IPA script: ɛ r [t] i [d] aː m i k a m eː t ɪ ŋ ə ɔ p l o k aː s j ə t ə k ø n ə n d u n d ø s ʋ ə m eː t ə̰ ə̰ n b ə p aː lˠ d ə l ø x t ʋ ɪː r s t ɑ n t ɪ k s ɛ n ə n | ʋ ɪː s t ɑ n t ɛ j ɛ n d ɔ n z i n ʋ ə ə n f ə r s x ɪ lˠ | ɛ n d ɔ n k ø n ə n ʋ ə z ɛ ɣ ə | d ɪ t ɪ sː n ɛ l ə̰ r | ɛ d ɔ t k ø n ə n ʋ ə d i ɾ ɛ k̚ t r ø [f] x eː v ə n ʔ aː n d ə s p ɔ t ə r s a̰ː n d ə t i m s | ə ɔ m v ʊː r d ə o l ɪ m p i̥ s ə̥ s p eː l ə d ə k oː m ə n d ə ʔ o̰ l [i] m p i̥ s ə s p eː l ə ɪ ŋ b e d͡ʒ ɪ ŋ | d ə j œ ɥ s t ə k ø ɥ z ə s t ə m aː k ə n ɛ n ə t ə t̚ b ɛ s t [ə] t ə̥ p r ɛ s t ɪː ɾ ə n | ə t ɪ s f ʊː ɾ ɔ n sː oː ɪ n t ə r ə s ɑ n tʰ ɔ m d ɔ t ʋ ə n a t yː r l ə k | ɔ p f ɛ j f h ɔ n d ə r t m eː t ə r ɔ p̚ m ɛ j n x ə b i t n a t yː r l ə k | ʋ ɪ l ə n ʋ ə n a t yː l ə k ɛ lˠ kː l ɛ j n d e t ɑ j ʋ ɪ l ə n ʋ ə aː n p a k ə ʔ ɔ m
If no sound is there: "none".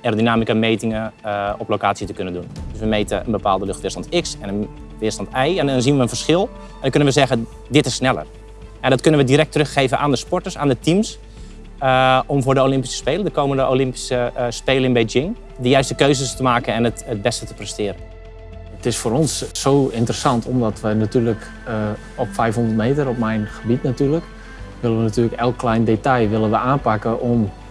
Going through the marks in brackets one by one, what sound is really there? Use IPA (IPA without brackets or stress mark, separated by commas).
d, n, x, ɪ, ə